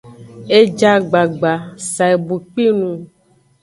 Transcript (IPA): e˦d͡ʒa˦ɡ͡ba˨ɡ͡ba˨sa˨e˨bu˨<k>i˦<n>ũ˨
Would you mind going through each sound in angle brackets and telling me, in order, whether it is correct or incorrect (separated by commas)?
incorrect, correct